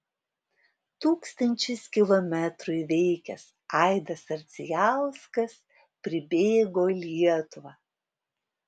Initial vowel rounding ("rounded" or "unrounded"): rounded